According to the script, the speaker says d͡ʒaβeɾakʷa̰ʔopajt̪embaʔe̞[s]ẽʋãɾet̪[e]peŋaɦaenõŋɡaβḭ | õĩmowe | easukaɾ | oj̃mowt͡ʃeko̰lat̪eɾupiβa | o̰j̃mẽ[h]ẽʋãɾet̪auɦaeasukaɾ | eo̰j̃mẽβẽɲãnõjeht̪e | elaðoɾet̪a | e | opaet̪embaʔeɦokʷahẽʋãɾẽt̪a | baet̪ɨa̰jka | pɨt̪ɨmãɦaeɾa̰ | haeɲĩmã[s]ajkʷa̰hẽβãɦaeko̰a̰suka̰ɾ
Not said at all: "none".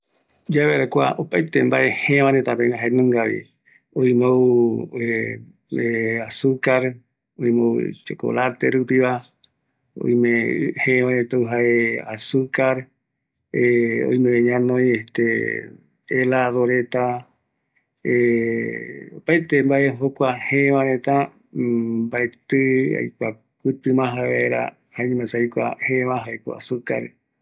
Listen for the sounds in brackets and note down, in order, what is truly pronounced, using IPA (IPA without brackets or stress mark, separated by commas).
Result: h, a, h, s